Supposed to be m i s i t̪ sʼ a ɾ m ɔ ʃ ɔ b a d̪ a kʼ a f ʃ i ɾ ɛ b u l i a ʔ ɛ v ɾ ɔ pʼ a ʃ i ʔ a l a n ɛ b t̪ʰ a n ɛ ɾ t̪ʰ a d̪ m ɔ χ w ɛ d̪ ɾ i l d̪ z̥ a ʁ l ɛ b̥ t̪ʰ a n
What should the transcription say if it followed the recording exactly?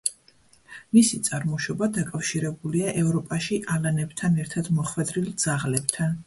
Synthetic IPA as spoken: m i s i t̪ sʼ a ɾ m ɔ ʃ ɔ b a d̪ a kʼ a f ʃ i ɾ ɛ b u l i a ʔ ɛ v ɾ ɔ pʼ a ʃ i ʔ a l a n ɛ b t̪ʰ a n ɛ ɾ t̪ʰ a d̪ m ɔ χ w ɛ d̪ ɾ i l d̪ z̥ a ʁ l ɛ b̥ t̪ʰ a n